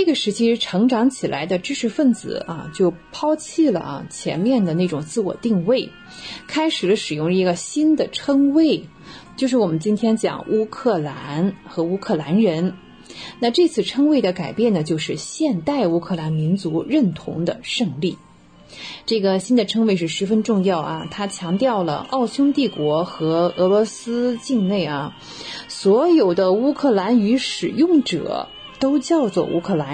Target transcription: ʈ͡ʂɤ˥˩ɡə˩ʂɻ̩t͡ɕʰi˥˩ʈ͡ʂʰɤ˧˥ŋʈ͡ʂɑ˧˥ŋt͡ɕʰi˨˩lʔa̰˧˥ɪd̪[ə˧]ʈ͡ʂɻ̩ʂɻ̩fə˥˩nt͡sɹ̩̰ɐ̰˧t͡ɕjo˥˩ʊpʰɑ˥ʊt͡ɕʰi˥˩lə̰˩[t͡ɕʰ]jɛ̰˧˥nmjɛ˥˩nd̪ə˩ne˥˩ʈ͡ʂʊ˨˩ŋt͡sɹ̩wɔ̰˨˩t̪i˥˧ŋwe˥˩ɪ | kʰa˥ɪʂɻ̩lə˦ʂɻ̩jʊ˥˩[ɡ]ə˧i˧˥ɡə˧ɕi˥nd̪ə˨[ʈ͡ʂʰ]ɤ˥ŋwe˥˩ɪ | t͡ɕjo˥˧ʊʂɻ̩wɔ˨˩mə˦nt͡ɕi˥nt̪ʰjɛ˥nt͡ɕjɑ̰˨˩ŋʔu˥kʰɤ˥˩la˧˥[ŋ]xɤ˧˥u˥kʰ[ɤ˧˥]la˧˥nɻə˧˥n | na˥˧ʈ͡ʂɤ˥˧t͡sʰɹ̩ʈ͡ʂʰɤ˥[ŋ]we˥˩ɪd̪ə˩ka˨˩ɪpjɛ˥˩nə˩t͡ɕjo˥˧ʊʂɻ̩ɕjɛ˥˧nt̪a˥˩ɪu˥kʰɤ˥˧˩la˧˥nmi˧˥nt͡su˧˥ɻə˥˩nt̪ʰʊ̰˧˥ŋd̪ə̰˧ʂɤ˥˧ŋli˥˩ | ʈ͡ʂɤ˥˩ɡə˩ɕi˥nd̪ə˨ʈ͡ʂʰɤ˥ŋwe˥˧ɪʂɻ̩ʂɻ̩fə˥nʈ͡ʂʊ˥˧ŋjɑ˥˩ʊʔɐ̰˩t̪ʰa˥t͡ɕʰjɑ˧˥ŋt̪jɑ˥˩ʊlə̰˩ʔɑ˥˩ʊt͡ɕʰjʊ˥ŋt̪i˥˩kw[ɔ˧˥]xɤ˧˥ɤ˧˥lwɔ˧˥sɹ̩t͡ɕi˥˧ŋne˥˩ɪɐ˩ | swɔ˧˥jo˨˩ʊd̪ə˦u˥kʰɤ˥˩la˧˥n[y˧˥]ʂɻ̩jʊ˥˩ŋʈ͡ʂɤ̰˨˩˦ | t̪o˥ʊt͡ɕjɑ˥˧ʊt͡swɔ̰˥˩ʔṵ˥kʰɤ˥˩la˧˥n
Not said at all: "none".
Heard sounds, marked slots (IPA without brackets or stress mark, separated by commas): ə˧, t͡ɕʰ, ŋ, ʈ͡ʂʰ, n, ɤ˥˩, ŋ, ɔ˧˥, y˧˥